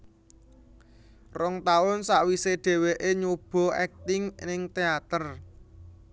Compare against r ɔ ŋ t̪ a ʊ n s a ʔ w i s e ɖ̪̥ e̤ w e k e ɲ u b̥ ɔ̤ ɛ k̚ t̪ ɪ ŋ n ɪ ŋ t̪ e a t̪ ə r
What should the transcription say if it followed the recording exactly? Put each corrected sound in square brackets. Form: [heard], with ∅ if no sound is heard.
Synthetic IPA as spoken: r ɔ ŋ t̪ a ʊ n s a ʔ w i s e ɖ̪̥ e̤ w e [ʔ] e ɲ u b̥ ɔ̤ ɛ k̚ t̪ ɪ ŋ n ɪ ŋ t̪ e a t̪ ə r

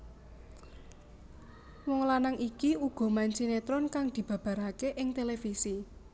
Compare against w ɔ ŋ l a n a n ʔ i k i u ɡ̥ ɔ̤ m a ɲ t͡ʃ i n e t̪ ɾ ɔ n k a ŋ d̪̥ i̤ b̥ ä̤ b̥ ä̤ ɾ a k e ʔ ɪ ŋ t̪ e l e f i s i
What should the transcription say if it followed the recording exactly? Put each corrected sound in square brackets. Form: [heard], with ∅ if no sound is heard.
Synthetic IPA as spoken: w ɔ ŋ l a n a [ŋ] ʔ i k i u ɡ̥ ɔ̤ m a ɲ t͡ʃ i n e t̪ ɾ ɔ n k a ŋ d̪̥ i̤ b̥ ä̤ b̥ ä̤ ɾ a k e ʔ ɪ ŋ t̪ e l e f i s i

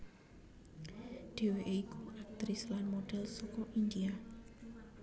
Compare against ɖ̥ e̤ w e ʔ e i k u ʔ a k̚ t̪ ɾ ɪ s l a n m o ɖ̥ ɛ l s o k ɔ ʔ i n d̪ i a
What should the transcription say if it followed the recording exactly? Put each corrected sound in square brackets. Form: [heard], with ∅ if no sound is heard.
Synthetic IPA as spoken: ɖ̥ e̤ w e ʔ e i k u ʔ a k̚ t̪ ɾ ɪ s l a n m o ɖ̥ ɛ l s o k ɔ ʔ i n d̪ i a

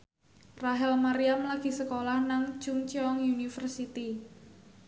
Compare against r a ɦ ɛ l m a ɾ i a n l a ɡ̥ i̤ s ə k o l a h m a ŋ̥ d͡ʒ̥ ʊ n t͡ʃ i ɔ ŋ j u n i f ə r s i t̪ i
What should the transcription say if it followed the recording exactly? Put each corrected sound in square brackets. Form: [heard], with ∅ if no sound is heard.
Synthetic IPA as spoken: r a ɦ ɛ l m a ɾ i a [m] l a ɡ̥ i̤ s ə k o l a h [n] a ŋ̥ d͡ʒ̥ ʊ [ŋ] t͡ʃ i ɔ ŋ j u n i f ə r s i t̪ i

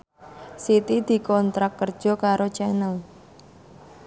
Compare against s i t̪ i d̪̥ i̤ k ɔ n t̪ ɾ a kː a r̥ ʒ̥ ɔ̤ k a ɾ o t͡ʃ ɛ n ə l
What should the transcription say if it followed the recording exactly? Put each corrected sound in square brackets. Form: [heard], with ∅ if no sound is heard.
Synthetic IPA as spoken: s i t̪ i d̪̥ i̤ k ɔ n t̪ ɾ a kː [ə] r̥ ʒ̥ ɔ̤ k a ɾ o t͡ʃ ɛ n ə l

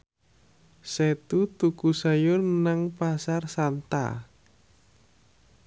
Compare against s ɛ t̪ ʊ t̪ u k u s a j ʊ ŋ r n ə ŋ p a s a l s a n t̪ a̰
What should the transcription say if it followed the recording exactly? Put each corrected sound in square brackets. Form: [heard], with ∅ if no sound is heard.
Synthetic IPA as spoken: s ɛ t̪ [u] t̪ u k u s a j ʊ [∅] r n [a] ŋ p a s a [r] s a n t̪ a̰

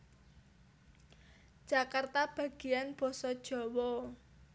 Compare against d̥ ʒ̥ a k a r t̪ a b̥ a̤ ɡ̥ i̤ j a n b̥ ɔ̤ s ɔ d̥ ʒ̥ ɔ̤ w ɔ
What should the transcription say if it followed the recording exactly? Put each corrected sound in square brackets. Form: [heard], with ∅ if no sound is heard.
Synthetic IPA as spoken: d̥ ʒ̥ a k a r t̪ a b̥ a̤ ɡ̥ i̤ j a n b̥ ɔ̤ s ɔ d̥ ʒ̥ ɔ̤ w ɔ

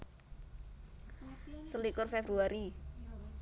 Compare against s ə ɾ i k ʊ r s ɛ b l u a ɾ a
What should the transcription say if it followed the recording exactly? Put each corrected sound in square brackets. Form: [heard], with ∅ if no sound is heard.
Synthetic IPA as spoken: s ə [l] i k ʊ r [f] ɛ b [ɾ] u a ɾ [i]

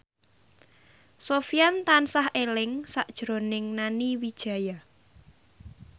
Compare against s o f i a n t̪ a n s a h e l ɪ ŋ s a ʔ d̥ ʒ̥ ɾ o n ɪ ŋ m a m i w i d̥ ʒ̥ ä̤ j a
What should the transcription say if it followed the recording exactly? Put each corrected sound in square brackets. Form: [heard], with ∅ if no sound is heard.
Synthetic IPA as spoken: s o f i a n t̪ a n s a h e l ɪ ŋ s a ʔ d̥ ʒ̥ ɾ o n ɪ ŋ [n] a [n] i w i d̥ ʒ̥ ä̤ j a

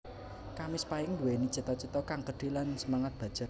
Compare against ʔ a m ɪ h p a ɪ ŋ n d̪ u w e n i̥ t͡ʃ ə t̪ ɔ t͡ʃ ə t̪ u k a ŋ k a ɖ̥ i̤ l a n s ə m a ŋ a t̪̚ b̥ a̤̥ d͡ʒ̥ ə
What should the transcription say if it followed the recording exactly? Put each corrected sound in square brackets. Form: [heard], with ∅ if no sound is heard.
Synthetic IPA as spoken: [k] a m ɪ [s] p a ɪ ŋ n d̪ u w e n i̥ t͡ʃ ə t̪ ɔ t͡ʃ ə t̪ [ɔ] k a ŋ k [ə] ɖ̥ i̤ l a n s ə m a ŋ a t̪̚ b̥ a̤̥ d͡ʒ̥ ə

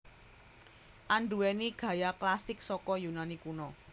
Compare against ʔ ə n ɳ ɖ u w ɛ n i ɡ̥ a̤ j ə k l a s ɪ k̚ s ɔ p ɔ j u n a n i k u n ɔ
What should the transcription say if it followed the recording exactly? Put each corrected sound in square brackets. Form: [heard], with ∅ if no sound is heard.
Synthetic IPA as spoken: ʔ [a] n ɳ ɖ u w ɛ n i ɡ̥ a̤ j [a] k l a s ɪ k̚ s ɔ [k] ɔ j u n a n i k u n ɔ

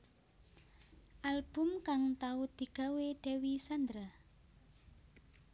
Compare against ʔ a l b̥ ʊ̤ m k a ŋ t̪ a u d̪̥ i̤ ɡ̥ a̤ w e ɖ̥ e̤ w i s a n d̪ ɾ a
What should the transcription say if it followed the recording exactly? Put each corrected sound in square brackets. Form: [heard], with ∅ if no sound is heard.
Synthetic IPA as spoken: ʔ a l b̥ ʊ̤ m k a ŋ t̪ a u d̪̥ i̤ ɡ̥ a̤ w e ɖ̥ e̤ w i s a n d̪ ɾ a

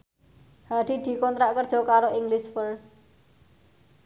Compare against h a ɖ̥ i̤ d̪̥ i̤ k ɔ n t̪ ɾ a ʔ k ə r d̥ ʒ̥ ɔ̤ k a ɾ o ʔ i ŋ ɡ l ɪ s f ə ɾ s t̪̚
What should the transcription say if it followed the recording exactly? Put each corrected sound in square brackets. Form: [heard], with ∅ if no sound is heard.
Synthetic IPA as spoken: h a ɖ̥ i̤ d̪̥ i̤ k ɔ n t̪ ɾ a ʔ k ə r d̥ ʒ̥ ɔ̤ k a ɾ o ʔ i ŋ ɡ l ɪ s f ə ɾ s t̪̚

